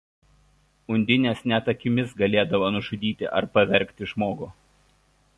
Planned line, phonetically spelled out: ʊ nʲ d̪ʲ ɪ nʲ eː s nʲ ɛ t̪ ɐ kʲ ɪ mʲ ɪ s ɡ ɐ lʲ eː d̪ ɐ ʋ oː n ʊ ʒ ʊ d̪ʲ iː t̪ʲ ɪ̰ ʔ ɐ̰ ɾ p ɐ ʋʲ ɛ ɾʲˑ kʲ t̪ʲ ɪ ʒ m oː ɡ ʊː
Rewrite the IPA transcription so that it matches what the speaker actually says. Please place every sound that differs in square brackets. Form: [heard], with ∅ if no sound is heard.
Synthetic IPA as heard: ʊ nʲ d̪ʲ ɪ nʲ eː s nʲ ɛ t̪ ɐ kʲ ɪ mʲ ɪ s ɡ ɐ lʲ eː d̪ ɐ ʋ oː n ʊ ʒ ʊ d̪ʲ iː t̪ʲ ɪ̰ ʔ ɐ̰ ɾ p ɐ ʋʲ ɛ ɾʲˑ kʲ t̪ʲ ɪ ʒ m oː ɡ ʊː